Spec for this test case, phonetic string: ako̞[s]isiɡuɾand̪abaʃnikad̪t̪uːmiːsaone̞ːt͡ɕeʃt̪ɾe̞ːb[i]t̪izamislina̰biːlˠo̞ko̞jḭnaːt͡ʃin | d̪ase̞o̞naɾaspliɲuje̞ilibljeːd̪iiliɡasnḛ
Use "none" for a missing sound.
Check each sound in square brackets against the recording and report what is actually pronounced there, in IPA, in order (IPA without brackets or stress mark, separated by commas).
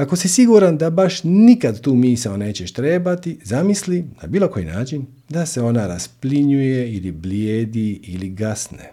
s, a